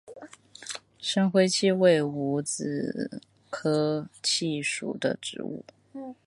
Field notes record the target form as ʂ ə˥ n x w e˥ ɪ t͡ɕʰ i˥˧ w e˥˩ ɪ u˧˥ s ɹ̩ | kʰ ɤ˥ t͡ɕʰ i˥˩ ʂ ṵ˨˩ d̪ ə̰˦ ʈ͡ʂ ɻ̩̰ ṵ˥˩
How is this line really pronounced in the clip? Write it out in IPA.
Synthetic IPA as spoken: ʂ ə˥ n x w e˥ ɪ t͡ɕʰ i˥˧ w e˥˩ ɪ u˧˥ t͡s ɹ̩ | kʰ ɤ˥ t͡ɕʰ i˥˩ ʂ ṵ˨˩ d̪ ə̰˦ ʈ͡ʂ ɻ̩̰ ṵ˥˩

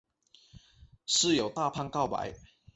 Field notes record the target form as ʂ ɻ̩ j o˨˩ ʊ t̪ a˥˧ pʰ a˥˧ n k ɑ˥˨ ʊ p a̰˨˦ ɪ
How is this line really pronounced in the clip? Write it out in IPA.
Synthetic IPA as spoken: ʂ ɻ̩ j o˨˩ ʊ t̪ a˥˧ pʰ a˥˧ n k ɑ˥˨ ʊ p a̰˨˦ ɪ

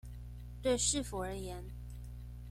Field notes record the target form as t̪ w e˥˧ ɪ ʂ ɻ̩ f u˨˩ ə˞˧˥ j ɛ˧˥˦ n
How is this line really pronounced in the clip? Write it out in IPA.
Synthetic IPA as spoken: t̪ w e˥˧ ɪ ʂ ɻ̩ f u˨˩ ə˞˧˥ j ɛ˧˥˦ n

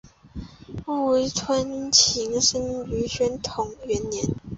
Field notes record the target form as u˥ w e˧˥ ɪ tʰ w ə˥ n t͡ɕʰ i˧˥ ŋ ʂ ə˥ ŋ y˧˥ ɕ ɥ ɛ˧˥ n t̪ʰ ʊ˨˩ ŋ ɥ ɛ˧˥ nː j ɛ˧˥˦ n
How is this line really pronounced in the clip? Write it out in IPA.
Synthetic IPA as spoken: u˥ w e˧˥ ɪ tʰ w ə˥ n t͡ɕʰ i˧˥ ŋ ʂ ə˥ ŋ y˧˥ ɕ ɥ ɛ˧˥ n t̪ʰ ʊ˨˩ ŋ ɥ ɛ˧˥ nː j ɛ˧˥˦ n

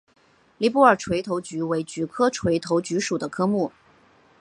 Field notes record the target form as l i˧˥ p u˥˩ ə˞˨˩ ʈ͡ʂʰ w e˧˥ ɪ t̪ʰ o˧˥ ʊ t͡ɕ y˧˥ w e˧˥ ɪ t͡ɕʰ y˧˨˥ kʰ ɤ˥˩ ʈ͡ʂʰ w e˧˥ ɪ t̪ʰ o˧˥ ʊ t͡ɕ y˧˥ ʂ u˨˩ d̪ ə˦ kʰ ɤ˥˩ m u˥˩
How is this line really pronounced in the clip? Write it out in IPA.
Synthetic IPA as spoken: l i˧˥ p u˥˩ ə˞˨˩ ʈ͡ʂʰ w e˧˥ ɪ t̪ʰ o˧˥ ʊ t͡ɕ y˧˥ w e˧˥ ɪ t͡ɕ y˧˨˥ kʰ ɤ˥ ʈ͡ʂʰ w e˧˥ ɪ t̪ʰ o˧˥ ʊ t͡ɕ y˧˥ ʂ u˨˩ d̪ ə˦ kʰ ɤ˥ m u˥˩

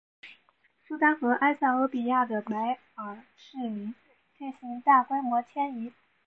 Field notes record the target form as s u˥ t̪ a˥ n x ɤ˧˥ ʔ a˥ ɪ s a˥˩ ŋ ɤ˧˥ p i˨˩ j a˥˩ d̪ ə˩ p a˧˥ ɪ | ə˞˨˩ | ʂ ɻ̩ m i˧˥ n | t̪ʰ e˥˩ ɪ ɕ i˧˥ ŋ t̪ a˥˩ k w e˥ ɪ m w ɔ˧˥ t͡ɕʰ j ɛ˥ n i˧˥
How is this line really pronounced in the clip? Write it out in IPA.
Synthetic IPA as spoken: s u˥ t̪ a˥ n x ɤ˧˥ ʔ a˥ ɪ s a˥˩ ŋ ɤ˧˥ p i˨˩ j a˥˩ d̪ ə˩ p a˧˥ ɪ | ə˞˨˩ | ʂ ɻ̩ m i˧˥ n | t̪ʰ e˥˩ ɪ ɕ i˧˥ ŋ t̪ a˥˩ k w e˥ ɪ m w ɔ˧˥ t͡ɕʰ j ɛ˥ n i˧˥

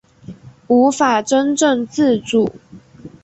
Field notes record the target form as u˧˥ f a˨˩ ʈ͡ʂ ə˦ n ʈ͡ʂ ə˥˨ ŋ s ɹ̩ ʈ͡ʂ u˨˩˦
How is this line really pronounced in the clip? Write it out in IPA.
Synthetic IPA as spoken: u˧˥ f a˨˩ ʈ͡ʂ ə˦ n ʈ͡ʂ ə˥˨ ŋ t͡s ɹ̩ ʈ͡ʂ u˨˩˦

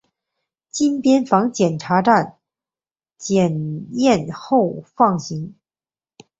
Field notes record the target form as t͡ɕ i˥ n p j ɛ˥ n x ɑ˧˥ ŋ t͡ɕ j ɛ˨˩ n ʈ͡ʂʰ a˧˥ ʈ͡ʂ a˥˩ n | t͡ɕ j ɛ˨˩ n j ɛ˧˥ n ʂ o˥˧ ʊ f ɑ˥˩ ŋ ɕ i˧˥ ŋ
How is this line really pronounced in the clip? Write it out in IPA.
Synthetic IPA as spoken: t͡ɕ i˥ n p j ɛ˥ n f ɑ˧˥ ŋ t͡ɕ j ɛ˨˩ n ʈ͡ʂʰ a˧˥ ʈ͡ʂ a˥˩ n | t͡ɕ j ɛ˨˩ n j ɛ˥˧ n x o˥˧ ʊ f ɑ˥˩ ŋ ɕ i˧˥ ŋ

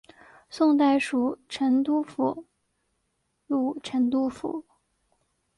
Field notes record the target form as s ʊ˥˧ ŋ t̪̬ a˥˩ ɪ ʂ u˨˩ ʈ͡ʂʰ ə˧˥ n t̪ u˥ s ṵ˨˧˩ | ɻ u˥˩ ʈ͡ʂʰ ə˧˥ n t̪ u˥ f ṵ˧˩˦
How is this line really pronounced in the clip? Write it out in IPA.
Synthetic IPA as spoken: s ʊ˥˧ ŋ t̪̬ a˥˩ ɪ ʂ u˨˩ ʈ͡ʂʰ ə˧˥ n t̪ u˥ f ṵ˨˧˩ | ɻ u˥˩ ʈ͡ʂʰ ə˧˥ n t̪ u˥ f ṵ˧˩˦

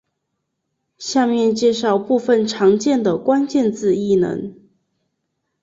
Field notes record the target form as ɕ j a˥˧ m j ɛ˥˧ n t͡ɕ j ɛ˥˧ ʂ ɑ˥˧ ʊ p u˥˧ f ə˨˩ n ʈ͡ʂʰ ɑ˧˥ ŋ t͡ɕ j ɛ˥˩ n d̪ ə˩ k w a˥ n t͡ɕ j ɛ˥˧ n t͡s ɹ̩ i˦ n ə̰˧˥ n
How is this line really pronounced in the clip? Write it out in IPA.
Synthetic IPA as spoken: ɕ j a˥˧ m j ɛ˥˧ n t͡ɕ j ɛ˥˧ ʂ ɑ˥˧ ʊ p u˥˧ f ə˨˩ n ʈ͡ʂʰ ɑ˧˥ ŋ t͡ɕ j ɛ˥˩ n d̪ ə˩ k w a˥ n t͡ɕ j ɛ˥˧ n t͡s ɹ̩ i˥˩ n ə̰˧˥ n

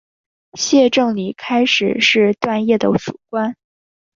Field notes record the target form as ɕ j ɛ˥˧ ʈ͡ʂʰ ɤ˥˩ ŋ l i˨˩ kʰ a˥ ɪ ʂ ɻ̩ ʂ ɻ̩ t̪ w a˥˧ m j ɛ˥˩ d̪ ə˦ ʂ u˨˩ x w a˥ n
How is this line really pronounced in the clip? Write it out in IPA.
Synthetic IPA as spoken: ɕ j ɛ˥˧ ʈ͡ʂ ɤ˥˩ ŋ l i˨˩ kʰ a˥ ɪ ʂ ɻ̩ ʂ ɻ̩ t̪ w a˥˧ n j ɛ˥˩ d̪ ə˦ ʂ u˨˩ k w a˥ n

